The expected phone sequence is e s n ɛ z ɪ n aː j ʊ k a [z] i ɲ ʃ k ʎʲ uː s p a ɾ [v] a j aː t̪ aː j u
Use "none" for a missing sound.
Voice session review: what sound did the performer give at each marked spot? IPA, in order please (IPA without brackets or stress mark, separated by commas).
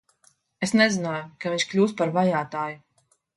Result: v, v